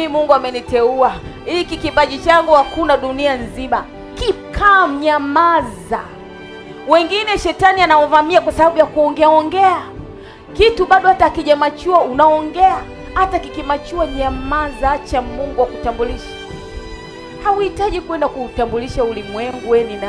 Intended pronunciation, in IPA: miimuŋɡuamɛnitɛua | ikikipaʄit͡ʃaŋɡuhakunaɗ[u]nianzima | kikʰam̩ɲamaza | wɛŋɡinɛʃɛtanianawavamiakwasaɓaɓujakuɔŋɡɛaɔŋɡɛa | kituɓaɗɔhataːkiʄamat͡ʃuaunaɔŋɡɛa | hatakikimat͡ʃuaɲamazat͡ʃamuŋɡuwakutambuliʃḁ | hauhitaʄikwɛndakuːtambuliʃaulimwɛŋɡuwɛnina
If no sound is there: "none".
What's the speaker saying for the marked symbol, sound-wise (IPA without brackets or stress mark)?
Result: u